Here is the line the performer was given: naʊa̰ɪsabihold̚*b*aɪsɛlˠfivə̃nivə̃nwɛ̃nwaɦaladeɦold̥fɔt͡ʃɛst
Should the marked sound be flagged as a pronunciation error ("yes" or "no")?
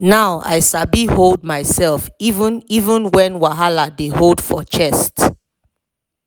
yes